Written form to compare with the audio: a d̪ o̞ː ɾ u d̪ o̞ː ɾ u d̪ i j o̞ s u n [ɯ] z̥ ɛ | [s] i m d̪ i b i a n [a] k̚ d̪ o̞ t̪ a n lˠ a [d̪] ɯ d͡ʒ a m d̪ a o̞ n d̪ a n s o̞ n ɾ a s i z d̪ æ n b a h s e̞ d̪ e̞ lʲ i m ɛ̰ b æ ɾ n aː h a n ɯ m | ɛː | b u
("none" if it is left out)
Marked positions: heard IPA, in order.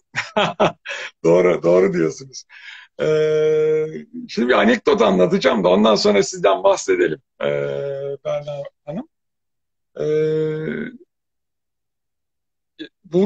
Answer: u, ʃ, ɛ, t̪

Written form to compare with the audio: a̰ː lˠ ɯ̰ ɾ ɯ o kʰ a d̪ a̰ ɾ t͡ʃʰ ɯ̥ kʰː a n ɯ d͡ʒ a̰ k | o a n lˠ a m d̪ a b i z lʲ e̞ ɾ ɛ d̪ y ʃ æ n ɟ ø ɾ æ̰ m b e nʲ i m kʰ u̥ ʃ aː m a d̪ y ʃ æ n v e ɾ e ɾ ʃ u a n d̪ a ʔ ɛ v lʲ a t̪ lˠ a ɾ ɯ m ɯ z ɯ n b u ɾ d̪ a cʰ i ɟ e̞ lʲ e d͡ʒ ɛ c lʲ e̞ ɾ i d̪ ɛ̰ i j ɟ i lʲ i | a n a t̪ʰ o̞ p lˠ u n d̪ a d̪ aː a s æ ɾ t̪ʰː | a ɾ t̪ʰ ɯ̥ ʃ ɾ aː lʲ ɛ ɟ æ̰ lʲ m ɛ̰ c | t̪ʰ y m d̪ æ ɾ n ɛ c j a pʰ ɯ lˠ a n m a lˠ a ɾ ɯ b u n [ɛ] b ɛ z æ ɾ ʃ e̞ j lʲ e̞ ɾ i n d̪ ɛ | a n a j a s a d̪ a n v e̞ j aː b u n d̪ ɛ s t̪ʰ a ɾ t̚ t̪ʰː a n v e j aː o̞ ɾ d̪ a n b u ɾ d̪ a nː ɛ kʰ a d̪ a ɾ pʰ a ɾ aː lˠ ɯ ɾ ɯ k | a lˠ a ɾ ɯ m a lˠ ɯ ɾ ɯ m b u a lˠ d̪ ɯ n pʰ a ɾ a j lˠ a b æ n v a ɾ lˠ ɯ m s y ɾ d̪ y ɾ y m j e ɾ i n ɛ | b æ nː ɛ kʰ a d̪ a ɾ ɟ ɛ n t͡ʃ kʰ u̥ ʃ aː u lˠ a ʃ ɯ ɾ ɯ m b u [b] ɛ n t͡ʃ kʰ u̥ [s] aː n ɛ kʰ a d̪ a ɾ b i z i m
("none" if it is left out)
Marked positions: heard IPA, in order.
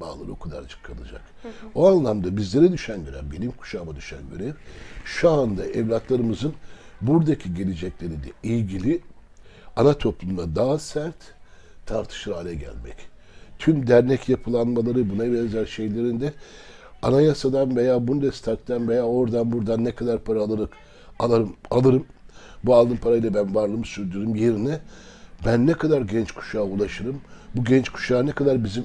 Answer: a, ɟ, ʃ

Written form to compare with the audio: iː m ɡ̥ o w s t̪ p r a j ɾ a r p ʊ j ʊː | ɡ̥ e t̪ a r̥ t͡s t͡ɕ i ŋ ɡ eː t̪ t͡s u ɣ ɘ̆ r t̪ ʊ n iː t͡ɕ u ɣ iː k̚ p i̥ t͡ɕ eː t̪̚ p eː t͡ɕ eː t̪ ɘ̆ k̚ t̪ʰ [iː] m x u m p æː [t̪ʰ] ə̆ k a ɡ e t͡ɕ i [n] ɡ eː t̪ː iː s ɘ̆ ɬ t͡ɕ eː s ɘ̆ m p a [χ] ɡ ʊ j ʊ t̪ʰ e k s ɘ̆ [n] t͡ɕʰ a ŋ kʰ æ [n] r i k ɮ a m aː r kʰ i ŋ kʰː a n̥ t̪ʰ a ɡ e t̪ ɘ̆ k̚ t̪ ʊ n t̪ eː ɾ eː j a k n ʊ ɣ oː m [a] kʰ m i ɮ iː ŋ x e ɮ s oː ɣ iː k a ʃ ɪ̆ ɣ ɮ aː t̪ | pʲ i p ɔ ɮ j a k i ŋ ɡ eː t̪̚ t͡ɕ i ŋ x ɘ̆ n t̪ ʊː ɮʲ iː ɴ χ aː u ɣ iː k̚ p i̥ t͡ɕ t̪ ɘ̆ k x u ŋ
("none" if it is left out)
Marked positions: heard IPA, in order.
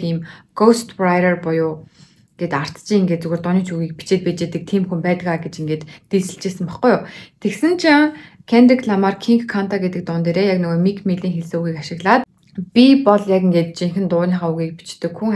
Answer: iː, t̪, ŋ, χ, n, n, i

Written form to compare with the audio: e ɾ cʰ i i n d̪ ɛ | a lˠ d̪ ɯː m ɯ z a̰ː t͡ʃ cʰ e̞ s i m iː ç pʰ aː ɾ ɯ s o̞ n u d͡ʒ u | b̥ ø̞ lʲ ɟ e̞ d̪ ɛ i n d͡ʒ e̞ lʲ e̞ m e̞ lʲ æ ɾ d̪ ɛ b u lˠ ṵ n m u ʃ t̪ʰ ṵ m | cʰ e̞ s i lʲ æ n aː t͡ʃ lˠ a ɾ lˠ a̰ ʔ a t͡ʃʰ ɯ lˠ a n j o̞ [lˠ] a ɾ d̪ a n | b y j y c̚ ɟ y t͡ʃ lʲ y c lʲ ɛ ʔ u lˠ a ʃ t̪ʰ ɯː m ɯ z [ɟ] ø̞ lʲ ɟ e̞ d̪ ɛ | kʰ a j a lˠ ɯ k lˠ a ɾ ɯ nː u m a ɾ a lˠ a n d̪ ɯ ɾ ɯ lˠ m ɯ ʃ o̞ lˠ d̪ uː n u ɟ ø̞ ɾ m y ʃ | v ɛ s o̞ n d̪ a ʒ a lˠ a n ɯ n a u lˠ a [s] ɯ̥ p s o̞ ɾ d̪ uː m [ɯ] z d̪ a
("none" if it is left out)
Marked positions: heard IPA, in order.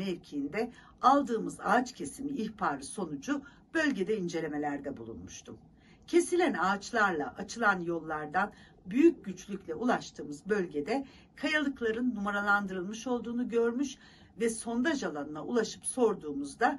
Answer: lˠː, b, ʃ, u

